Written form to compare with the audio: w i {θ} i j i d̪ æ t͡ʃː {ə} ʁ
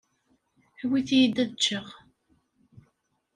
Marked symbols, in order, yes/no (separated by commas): yes, yes